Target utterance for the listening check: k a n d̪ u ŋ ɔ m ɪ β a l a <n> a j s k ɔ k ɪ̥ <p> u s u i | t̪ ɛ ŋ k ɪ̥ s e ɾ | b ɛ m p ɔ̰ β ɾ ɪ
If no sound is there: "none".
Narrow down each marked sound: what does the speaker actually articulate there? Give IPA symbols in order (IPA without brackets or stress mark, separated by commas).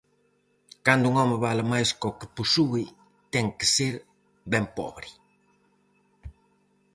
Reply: m, p